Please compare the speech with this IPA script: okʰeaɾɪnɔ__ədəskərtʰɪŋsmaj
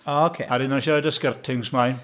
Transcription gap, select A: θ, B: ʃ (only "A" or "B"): B